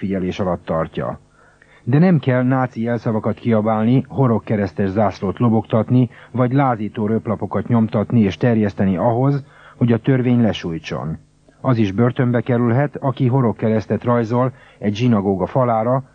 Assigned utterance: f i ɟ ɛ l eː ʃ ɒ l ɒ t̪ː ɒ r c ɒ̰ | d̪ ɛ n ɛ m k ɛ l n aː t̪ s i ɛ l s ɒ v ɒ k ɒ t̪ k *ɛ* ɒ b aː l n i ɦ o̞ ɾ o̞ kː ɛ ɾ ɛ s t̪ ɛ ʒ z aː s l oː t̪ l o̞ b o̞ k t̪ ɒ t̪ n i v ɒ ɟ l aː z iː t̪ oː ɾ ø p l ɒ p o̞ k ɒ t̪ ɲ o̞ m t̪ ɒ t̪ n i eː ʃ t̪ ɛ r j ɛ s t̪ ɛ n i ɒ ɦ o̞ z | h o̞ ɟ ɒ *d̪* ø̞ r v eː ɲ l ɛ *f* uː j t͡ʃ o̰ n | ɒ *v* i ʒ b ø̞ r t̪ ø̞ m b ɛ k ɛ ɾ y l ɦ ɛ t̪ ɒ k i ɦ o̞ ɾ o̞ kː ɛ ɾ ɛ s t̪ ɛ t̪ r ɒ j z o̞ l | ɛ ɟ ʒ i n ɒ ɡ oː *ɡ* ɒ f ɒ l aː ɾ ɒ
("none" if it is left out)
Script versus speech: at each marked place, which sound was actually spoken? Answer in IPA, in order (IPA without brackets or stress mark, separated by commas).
i, t̪, ʃ, z, ɡ